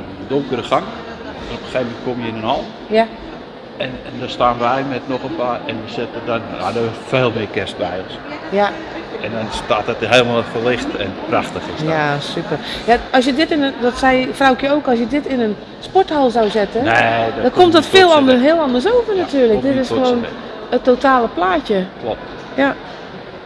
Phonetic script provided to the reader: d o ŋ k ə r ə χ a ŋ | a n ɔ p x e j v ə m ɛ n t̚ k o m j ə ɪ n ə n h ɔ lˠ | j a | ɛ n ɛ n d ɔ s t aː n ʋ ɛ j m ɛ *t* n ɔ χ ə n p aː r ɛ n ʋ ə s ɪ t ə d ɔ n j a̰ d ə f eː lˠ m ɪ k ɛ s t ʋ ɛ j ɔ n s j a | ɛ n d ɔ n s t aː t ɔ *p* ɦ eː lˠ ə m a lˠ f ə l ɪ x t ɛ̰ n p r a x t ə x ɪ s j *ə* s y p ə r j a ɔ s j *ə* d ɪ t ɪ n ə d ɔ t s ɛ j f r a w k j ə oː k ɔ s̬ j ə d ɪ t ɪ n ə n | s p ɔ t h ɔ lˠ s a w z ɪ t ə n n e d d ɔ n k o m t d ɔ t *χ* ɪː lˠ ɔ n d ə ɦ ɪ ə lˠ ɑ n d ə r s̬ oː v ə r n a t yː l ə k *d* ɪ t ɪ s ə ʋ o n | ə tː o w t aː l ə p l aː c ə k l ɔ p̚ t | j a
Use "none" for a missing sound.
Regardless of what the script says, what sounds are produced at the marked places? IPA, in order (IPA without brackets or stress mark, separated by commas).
t, t, a, ə, f, d